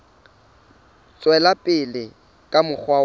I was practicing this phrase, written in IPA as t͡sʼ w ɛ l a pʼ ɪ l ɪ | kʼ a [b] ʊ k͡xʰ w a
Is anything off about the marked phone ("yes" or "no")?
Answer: yes